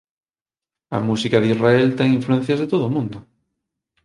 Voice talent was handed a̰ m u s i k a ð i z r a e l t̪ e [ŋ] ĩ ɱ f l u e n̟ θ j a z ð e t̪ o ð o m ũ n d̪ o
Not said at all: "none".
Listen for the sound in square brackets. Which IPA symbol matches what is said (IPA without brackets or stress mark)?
ŋ